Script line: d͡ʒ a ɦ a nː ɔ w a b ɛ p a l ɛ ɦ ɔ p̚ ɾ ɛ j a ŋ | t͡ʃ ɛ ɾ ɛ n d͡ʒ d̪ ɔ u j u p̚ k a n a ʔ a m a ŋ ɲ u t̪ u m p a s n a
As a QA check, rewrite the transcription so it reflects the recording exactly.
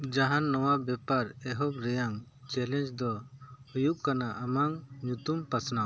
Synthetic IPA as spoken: d͡ʒ a ɦ a nː ɔ w a b ɛ p a ɾ ɛ ɦ ɔ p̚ ɾ ɛ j a ŋ | t͡ʃ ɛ l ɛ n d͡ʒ d̪ ɔ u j u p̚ k a n a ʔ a m a ŋ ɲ u t̪ u m p a s n a